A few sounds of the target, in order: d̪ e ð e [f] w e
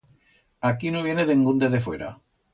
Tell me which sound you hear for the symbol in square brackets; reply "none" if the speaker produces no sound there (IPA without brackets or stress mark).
f